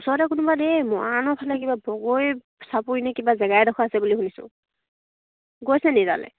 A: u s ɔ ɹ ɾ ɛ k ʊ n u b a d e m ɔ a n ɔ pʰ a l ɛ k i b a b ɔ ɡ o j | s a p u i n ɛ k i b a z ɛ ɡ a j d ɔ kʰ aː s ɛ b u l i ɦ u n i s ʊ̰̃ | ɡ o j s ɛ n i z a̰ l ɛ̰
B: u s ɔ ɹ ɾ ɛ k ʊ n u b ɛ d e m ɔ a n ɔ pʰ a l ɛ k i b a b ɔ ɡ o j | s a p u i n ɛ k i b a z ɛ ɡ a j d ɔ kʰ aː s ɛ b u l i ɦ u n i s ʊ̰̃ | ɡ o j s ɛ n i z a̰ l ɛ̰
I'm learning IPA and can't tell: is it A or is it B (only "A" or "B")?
A